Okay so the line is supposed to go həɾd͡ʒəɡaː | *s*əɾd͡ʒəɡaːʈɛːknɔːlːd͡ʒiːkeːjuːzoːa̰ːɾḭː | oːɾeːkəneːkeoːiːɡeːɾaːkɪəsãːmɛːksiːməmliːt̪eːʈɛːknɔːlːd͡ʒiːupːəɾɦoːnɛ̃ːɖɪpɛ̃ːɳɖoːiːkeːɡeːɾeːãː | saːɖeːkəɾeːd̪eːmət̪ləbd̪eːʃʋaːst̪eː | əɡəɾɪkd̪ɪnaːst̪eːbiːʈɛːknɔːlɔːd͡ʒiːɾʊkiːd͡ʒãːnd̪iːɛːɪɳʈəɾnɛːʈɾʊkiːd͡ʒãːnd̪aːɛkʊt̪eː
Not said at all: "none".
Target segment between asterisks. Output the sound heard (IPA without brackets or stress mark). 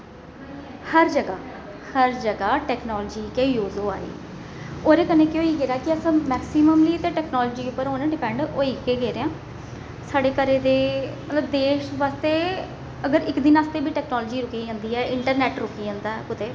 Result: h